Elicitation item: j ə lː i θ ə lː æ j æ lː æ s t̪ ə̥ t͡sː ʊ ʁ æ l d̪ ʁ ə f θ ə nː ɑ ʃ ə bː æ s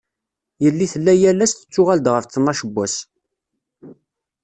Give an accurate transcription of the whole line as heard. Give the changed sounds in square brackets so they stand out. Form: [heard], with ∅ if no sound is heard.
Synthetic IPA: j ə lː i θ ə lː æ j æ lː æ s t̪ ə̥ t͡sː ʊ ʁ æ l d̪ ʁ ə f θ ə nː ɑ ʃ ə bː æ s